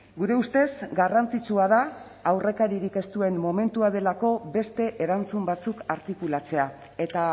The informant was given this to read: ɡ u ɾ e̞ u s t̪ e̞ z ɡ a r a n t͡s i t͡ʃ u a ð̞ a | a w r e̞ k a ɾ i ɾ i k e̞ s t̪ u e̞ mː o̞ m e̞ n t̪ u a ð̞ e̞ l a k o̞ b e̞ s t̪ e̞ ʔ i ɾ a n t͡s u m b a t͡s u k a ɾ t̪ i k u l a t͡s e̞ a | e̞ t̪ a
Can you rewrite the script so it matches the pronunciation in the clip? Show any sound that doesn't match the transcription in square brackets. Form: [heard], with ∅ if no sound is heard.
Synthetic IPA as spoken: ɡ u ɾ e̞ u s t̪ e̞ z ɡ a r a n t͡s i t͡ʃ u a ð̞ a | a w r e̞ k a ɾ i ɾ i k e̞ s t̪ u e̞ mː o̞ m e̞ n t̪ u a ð̞ e̞ l a k o̞ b e̞ s t̪ e̞ ʔ [e] ɾ a n t͡s u m b a t͡s u k a ɾ t̪ i k u l a t͡s e̞ a | e̞ t̪ a

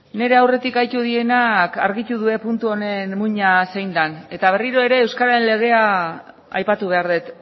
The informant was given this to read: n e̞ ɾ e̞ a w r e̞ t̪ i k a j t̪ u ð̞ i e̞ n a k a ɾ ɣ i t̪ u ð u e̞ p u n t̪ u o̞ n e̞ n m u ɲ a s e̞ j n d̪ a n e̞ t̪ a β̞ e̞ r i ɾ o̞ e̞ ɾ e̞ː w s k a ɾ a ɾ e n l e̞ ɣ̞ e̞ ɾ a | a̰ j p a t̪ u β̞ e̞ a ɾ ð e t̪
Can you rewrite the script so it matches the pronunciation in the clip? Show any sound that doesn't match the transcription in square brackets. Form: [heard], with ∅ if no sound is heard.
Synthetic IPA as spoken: n e̞ ɾ e̞ a w r e̞ t̪ i k a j t̪ u ð̞ i e̞ n a k a ɾ ɣ i t̪ u ð u e̞ p u n t̪ u o̞ n e̞ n m u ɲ a s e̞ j n d̪ a n e̞ t̪ a β̞ e̞ r i ɾ o̞ e̞ ɾ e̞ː w s k a ɾ a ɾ e n l e̞ ɣ̞ e̞ [∅] a | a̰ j p a t̪ u β̞ e̞ a ɾ ð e t̪

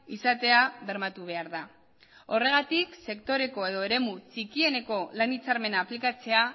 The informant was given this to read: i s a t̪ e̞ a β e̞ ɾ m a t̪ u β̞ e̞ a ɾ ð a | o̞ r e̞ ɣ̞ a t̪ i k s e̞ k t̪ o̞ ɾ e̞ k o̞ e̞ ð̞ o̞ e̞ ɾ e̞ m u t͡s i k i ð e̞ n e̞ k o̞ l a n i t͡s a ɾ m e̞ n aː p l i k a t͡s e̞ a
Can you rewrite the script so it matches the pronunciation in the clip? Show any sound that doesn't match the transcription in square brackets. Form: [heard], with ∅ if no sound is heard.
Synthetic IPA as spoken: i s a t̪ e̞ a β e̞ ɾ m a t̪ u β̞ e̞ a ɾ ð a | o̞ r e̞ ɣ̞ a t̪ i k s e̞ k t̪ o̞ ɾ e̞ k o̞ e̞ ð̞ o̞ e̞ ɾ e̞ m u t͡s i k i [∅] e̞ n e̞ k o̞ l a n i t͡s a ɾ m e̞ n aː p l i k a t͡s e̞ a

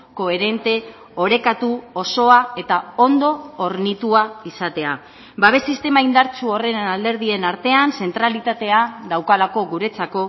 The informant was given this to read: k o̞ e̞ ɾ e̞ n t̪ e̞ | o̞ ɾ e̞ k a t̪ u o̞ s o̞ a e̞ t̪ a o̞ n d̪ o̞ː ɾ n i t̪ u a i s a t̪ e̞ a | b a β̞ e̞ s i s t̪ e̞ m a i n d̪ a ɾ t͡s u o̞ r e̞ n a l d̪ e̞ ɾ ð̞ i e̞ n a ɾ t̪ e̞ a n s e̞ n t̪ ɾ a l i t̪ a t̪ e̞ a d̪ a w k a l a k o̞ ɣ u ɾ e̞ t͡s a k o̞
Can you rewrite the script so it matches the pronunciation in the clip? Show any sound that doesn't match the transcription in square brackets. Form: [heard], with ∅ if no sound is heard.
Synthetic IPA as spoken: k o̞ e̞ ɾ e̞ n t̪ e̞ | o̞ ɾ e̞ k a t̪ u o̞ s o̞ a e̞ t̪ a o̞ n d̪ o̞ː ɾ n i t̪ u a i s a t̪ e̞ a | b a β̞ e̞ s i s t̪ e̞ m a i n d̪ a ɾ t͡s u o̞ r e̞ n a l d̪ e̞ ɾ ð̞ i e̞ n a ɾ t̪ e̞ a n s e̞ n t̪ ɾ a l i t̪ a t̪ e̞ a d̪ a w k a l a k o̞ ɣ u ɾ e̞ t͡s a k o̞

